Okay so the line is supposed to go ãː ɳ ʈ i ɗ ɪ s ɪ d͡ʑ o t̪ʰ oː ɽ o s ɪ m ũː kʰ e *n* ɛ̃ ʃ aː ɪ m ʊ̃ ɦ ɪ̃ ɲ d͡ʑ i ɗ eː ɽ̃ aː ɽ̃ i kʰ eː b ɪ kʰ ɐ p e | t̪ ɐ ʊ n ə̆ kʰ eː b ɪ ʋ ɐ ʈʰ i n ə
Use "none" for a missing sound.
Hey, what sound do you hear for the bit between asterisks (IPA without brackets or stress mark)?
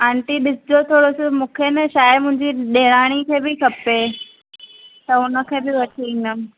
n